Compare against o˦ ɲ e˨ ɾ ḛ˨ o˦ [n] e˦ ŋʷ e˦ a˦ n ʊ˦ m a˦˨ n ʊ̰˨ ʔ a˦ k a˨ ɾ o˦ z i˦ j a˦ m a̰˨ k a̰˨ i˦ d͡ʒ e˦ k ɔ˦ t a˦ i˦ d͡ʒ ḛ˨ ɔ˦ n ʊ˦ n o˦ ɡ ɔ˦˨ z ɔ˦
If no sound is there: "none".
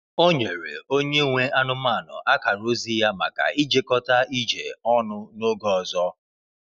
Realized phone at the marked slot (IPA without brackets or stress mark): ɲ